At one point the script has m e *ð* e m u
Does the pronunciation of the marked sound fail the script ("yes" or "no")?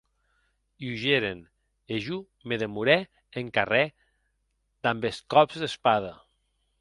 no